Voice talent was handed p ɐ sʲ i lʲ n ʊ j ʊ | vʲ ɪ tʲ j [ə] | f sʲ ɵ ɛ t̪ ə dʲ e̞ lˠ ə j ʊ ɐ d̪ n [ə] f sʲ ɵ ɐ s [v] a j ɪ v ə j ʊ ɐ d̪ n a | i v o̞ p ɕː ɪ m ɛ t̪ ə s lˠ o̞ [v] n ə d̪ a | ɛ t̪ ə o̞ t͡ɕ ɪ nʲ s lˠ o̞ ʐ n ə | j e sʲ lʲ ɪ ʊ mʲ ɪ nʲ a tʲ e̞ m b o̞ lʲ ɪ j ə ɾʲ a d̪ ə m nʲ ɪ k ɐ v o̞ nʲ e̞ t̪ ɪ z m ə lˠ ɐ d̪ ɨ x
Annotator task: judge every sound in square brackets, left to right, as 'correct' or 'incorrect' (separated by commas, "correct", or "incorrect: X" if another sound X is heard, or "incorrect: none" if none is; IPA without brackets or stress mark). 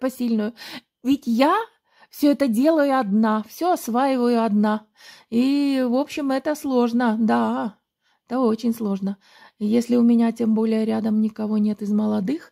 incorrect: a, incorrect: a, correct, incorrect: ʐ